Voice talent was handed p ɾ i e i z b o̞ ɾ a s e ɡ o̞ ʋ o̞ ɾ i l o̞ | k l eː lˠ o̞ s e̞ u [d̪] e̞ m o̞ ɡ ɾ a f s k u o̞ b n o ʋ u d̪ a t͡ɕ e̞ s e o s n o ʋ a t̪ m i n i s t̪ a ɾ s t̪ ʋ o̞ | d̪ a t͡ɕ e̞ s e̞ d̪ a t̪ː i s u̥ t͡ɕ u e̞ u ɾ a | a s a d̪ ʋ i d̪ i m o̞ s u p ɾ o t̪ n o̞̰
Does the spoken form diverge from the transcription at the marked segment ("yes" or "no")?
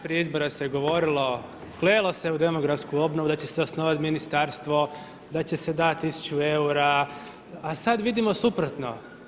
no